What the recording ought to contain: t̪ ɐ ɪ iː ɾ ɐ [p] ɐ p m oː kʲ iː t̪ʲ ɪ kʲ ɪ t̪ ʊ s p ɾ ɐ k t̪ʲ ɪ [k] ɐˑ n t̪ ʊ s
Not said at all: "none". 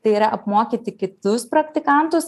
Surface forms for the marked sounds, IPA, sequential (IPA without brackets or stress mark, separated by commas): ʔ, k